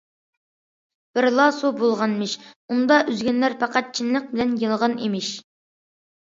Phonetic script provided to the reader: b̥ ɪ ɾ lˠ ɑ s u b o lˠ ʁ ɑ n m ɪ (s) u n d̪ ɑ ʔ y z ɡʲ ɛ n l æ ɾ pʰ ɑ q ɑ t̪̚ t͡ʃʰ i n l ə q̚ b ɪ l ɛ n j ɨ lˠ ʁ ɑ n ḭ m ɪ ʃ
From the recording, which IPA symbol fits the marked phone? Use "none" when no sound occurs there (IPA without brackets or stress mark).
ʃ